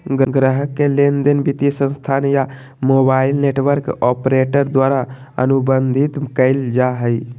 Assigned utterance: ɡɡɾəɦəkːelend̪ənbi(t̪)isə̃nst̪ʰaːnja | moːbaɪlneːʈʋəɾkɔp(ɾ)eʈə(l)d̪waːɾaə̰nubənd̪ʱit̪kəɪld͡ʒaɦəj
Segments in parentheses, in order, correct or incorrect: correct, correct, incorrect

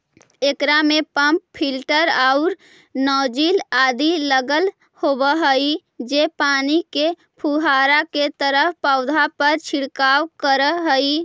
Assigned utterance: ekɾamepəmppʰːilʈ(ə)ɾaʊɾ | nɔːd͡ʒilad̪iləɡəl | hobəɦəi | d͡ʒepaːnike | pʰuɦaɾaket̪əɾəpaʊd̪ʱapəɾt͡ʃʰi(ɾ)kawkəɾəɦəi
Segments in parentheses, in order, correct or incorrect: correct, incorrect

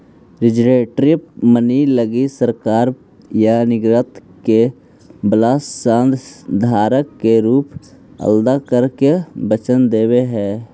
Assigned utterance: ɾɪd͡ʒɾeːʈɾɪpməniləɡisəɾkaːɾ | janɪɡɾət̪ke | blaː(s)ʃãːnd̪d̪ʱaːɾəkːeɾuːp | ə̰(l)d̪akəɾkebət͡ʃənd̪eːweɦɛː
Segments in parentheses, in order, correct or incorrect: correct, correct

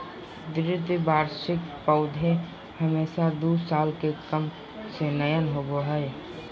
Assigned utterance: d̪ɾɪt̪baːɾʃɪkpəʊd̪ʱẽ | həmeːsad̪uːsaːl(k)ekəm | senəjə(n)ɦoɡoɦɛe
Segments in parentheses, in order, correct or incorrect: correct, correct

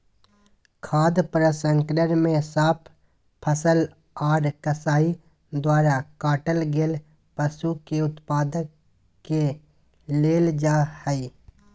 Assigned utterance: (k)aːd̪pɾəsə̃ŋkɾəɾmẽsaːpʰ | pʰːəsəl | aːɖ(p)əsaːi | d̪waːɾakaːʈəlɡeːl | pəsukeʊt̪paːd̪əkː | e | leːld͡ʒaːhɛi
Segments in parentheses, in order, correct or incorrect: incorrect, incorrect

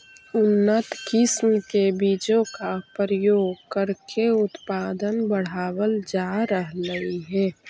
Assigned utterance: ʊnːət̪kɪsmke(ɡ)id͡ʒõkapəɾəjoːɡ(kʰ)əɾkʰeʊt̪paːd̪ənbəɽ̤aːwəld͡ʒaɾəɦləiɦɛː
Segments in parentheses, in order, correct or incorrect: incorrect, incorrect

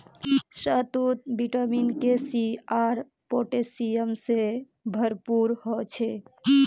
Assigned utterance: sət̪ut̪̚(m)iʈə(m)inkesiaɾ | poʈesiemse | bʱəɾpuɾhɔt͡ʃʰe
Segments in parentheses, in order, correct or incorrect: incorrect, correct

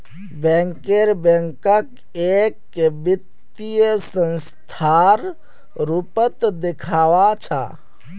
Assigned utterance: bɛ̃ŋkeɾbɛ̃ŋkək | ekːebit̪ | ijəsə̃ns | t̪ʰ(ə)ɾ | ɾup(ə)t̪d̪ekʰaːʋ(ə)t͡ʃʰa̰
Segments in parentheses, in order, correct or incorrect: incorrect, correct, incorrect

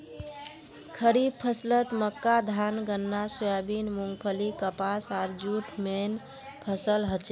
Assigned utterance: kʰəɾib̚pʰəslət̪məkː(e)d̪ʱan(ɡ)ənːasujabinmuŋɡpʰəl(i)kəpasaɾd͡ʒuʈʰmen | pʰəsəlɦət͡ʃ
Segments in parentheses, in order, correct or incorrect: incorrect, correct, correct

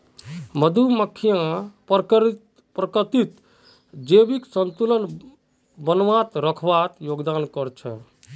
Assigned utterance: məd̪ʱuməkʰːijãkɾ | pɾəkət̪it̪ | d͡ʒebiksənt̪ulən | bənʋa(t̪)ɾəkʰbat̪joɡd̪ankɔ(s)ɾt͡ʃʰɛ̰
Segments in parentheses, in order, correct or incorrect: correct, incorrect

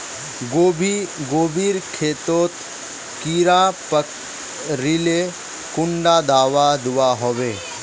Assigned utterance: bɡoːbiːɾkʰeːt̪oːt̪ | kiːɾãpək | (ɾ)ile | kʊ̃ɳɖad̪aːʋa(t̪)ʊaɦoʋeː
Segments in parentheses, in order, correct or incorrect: correct, incorrect

